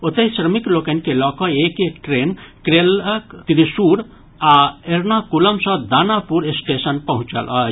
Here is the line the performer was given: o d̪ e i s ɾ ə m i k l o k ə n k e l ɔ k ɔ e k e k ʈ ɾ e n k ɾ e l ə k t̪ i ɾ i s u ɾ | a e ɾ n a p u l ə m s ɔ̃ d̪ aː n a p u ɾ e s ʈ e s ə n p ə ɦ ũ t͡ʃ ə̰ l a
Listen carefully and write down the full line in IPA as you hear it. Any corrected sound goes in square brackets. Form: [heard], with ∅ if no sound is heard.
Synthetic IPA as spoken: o [t̪] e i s ɾ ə m i k l o k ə n k e l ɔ k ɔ e k e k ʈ ɾ e n k ɾ e l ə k t̪ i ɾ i s u ɾ | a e ɾ n a [k] u l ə m s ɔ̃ d̪ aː n a p u ɾ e s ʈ e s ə n p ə ɦ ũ t͡ʃ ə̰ l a